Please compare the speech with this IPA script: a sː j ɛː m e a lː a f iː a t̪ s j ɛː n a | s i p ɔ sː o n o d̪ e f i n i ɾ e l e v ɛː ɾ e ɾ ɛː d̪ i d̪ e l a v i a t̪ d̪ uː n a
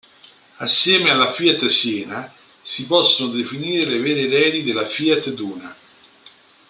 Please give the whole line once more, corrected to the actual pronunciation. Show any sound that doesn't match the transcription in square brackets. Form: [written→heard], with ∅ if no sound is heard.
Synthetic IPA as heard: a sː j ɛː m e a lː a f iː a t̪ s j ɛː n a | s i p ɔ sː o n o d̪ e f i n [i→iː] ɾ e l e v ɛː ɾ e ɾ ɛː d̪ i d̪ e l a [v→f] i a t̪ d̪ uː n a